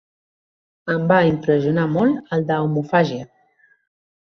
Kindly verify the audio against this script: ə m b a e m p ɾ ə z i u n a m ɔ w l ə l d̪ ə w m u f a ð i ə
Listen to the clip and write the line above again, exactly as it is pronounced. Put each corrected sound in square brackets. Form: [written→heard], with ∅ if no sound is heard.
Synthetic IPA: ə m b a [e→i] m p ɾ ə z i u n a m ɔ [w→∅] l ə l d̪ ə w m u f a [ð→ʒ] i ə